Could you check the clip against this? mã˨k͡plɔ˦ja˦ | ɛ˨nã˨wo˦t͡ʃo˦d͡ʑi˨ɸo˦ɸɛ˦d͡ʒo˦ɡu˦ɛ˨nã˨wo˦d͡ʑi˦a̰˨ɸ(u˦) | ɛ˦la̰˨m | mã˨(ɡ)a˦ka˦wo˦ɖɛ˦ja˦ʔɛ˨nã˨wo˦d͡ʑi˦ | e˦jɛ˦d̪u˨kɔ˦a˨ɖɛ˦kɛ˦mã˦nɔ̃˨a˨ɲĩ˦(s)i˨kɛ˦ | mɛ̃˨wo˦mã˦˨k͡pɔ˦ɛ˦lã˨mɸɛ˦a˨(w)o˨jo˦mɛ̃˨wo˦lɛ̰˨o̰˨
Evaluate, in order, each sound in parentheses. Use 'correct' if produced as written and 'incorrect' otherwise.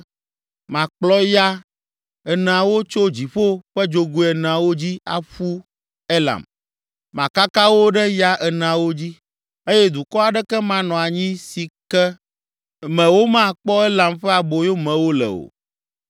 correct, incorrect, correct, incorrect

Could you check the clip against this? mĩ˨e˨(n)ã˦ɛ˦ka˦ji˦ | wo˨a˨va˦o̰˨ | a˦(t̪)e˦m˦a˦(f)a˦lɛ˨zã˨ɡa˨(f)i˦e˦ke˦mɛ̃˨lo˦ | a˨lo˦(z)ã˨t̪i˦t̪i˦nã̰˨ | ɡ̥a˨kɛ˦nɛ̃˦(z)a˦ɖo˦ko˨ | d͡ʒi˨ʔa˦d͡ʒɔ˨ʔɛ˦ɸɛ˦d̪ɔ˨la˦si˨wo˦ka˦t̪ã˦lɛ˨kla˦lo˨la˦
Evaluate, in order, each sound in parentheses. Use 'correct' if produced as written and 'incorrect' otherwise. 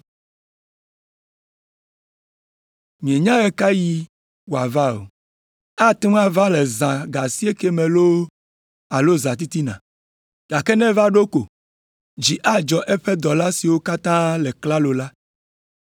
incorrect, correct, incorrect, incorrect, correct, incorrect

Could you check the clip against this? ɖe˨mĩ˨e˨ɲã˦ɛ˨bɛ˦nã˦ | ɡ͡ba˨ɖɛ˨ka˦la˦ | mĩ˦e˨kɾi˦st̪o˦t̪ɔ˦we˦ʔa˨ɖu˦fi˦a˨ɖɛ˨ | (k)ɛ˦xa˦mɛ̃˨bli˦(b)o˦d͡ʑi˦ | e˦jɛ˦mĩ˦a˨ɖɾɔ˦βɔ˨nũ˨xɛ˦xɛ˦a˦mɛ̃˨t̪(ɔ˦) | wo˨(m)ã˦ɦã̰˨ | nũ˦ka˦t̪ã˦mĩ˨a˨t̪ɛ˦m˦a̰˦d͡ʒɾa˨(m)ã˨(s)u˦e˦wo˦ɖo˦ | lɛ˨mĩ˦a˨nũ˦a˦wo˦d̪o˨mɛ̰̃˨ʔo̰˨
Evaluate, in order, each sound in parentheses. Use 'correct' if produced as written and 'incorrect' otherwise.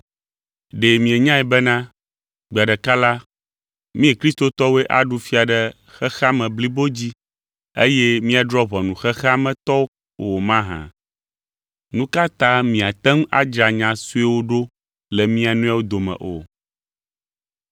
incorrect, correct, correct, correct, incorrect, correct

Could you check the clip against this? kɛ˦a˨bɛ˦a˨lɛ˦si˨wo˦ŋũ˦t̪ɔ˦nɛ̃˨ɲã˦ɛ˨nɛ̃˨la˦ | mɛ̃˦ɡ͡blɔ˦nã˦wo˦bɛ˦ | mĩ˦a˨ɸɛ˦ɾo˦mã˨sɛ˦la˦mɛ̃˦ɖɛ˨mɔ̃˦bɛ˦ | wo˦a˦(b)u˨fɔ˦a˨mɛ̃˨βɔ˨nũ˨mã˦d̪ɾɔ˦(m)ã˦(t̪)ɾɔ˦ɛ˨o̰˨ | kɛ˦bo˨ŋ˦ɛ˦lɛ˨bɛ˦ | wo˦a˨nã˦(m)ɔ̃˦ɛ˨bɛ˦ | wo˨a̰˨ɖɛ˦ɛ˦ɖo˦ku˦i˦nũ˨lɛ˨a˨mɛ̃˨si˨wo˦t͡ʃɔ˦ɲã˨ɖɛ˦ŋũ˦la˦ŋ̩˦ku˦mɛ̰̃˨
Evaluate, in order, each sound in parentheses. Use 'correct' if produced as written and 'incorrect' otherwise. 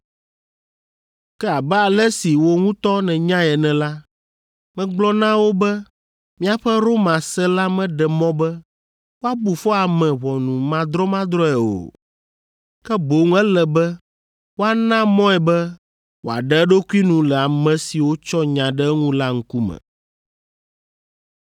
correct, correct, incorrect, correct

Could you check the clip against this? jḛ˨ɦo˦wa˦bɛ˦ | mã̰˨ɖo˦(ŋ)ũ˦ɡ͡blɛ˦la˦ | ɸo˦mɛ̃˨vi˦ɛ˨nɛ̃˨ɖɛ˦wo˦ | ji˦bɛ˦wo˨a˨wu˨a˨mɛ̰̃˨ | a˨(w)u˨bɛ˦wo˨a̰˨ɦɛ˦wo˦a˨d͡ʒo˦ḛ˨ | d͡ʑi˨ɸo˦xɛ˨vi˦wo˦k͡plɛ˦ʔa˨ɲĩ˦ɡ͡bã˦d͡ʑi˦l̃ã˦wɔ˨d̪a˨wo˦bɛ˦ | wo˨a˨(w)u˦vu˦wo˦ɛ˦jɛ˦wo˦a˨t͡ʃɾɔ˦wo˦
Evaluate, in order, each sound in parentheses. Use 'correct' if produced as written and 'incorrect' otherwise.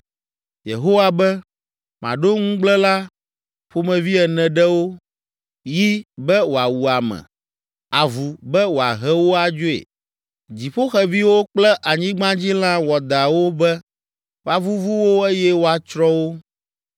correct, incorrect, incorrect

